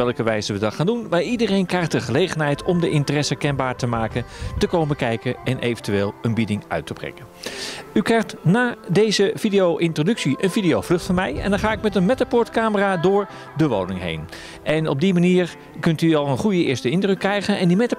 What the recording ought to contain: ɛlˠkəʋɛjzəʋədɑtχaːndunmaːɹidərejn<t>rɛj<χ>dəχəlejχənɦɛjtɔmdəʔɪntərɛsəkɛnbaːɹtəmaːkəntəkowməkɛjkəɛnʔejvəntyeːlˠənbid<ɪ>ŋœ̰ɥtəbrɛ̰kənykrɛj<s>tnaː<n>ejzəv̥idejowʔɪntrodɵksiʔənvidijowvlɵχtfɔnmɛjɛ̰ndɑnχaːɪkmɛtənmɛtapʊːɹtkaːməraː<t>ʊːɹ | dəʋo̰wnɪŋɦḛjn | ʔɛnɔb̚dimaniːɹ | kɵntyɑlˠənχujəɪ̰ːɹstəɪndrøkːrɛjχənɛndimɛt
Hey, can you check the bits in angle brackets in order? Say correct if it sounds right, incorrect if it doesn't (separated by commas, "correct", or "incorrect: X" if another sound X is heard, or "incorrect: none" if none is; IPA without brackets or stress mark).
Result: incorrect: k, correct, correct, incorrect: χ, incorrect: d, incorrect: d